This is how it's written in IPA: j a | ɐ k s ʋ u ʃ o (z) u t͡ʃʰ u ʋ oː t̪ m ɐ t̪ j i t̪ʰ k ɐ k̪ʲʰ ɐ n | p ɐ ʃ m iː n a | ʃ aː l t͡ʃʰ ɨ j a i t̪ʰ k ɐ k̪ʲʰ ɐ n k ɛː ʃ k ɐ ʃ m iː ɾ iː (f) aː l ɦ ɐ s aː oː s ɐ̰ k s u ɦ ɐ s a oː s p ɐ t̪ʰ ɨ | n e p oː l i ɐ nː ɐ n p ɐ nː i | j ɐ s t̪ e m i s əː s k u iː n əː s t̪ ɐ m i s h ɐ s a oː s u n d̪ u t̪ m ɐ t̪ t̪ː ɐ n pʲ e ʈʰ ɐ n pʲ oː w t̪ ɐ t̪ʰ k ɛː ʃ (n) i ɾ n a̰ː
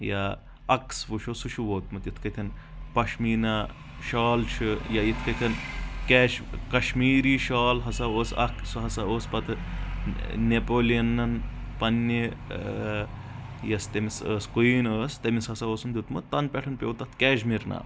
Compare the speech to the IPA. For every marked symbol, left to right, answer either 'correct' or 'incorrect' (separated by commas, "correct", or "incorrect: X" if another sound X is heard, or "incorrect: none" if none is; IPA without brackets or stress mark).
incorrect: s, incorrect: ʃ, incorrect: m